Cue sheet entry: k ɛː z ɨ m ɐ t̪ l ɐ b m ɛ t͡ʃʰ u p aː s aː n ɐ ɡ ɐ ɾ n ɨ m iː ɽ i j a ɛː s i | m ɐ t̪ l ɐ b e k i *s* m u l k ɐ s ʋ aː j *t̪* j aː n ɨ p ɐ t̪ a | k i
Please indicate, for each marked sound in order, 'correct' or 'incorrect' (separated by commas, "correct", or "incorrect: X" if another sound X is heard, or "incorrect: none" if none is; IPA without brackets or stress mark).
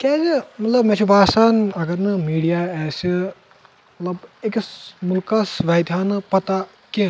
correct, incorrect: d̪